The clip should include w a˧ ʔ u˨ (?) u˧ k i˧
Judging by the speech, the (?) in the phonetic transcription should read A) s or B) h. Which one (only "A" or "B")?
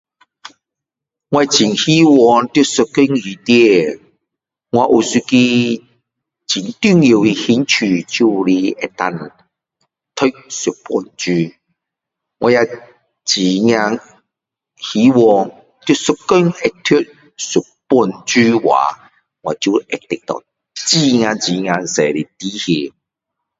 A